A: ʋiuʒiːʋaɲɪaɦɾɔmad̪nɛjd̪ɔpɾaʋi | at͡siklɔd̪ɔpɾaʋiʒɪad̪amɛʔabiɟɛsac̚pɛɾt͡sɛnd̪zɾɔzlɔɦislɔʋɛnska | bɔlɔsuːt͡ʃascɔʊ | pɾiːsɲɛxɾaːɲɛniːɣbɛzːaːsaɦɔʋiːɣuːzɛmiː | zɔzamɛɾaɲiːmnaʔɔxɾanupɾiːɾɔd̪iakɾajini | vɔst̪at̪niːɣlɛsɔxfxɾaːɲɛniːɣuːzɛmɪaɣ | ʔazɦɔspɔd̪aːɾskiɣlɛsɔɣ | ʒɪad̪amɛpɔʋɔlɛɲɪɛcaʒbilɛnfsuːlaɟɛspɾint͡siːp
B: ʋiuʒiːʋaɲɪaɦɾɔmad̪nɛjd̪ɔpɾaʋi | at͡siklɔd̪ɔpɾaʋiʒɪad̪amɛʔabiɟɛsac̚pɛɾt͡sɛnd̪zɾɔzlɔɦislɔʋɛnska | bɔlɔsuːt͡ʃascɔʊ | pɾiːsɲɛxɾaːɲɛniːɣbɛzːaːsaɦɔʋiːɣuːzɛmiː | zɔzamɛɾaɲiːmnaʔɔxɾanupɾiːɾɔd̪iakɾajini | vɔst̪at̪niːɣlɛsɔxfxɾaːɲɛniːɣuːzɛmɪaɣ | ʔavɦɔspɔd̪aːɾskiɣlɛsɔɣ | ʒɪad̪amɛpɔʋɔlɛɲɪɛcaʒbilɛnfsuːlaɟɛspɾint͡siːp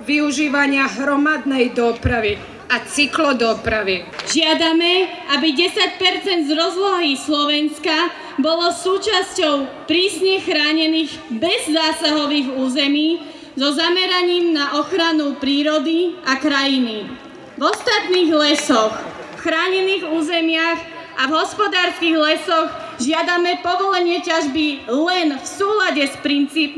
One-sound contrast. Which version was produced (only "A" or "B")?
B